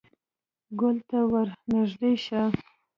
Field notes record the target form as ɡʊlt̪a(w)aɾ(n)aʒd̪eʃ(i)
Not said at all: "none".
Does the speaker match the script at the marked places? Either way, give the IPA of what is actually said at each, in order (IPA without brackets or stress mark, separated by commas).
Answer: w, n, a